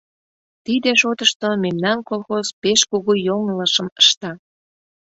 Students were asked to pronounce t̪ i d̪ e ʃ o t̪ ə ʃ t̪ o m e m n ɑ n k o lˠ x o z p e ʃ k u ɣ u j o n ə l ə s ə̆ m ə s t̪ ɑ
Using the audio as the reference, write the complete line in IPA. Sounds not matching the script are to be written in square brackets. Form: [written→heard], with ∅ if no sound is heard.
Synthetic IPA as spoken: t̪ i d̪ e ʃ o t̪ ə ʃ t̪ o m e m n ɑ n k o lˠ x o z p e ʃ k u ɣ u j o [n→ŋ] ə l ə [s→ʃ] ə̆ m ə [s→ʃ] t̪ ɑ